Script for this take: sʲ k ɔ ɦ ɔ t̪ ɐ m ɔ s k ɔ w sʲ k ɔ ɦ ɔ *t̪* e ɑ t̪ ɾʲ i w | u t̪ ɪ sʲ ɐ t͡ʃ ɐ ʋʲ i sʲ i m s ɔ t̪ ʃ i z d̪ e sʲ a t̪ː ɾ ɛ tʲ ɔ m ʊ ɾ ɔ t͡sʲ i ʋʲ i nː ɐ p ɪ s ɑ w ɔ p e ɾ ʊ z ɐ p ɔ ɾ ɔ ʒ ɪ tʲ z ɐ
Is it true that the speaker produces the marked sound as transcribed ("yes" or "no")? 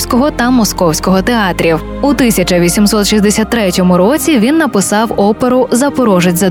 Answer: yes